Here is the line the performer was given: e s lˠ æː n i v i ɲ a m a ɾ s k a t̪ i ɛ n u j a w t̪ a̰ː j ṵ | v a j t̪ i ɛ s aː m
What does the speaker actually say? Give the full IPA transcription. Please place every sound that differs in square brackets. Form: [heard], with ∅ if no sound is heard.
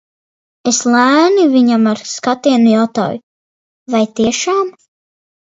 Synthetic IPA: e s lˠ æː n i v i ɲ a m a ɾ s k a t̪ i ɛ n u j a w t̪ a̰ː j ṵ | v a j t̪ i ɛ [ʃ] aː m